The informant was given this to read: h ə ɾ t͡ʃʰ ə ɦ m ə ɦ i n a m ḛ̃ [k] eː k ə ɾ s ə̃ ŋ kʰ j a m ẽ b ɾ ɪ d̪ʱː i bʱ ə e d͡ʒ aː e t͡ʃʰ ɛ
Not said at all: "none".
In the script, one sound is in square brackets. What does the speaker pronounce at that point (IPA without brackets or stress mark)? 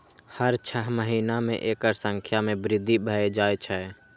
ʔ